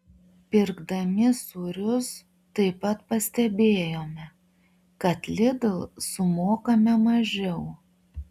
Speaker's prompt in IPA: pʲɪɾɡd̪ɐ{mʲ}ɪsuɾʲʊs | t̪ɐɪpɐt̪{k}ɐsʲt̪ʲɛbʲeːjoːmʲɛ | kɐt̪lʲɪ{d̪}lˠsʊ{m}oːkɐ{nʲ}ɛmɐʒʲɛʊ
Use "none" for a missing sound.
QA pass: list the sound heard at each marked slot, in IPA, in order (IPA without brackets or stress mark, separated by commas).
mʲ, p, d̪, m, mʲ